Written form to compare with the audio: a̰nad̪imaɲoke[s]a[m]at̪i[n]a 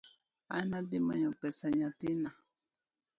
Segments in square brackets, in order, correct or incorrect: correct, incorrect: ɲ, correct

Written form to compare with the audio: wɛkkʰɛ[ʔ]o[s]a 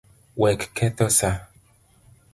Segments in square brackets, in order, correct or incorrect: incorrect: t, correct

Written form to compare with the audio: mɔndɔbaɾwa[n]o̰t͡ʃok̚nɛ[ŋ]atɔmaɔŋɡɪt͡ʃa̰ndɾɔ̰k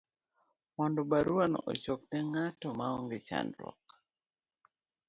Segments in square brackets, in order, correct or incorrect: correct, correct

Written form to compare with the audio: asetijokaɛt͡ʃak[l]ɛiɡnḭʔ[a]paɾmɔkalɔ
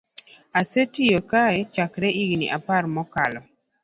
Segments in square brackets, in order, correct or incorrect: incorrect: ɾ, correct

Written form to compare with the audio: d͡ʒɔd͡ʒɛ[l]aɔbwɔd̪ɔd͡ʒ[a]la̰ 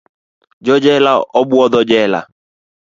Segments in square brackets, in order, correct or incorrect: correct, incorrect: ɛ

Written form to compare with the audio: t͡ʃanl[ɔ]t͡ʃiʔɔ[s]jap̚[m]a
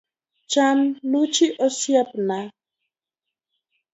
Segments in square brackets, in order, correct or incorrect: incorrect: u, correct, incorrect: n

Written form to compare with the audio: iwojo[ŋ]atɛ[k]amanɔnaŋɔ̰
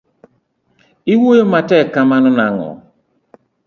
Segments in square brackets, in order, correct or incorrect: incorrect: m, correct

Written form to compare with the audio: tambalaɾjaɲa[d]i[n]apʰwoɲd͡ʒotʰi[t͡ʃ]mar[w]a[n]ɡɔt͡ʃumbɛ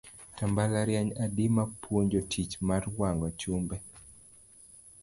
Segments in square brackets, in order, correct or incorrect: correct, incorrect: m, correct, correct, incorrect: ŋ

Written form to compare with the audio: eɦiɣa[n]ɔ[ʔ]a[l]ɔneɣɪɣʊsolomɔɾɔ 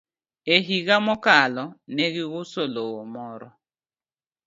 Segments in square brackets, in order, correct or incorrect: incorrect: m, incorrect: k, correct

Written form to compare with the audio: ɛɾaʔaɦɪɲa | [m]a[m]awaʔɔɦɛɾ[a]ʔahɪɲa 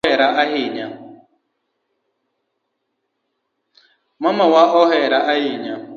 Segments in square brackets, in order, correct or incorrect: correct, correct, correct

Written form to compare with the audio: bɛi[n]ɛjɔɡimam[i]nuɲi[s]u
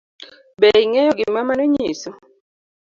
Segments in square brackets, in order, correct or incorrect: incorrect: ŋ, incorrect: a, correct

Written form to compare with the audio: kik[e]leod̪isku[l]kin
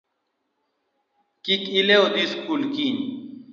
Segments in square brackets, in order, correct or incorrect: incorrect: i, correct

